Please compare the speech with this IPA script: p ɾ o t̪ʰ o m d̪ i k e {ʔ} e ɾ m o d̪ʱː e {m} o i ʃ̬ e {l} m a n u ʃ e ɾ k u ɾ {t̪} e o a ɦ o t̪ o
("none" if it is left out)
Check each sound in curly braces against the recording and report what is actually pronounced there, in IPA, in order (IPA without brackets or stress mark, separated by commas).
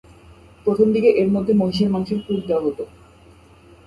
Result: ʔ, m, ɾ, d̪